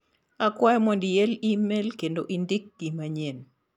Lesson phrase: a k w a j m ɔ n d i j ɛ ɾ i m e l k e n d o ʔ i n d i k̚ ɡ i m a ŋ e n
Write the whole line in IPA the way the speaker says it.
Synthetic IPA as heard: a k w a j m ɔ n d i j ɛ l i m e l k e n d o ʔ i n d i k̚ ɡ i m a ɲ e n